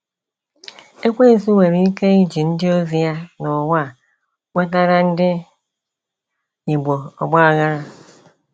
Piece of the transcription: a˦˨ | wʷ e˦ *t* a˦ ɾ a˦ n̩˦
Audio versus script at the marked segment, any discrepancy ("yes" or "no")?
no